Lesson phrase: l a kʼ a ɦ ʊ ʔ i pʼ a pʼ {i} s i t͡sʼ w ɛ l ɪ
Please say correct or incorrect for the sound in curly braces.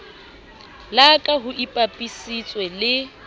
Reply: correct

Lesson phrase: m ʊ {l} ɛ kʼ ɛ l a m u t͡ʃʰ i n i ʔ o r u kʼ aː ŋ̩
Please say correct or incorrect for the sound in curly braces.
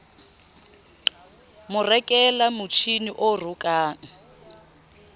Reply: incorrect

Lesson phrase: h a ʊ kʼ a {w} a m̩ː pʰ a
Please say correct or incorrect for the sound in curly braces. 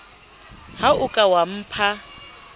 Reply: correct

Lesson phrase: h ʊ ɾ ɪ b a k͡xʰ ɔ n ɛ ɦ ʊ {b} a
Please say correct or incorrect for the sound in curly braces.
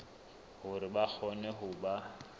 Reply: correct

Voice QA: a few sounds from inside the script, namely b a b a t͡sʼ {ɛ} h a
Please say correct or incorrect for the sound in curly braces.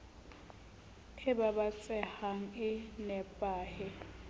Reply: correct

